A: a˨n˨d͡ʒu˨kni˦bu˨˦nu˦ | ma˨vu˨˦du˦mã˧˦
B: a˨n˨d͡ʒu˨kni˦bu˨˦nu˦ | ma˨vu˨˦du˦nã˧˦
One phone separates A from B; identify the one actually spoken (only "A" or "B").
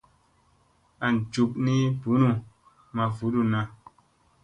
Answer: B